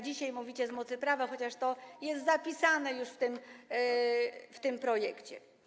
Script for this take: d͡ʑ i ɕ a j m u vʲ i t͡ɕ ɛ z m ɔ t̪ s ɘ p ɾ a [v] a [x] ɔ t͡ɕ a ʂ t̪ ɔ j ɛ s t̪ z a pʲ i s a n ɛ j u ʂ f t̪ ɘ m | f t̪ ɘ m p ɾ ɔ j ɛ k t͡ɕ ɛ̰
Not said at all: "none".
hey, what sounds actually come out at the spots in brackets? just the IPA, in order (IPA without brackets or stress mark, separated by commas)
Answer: v, x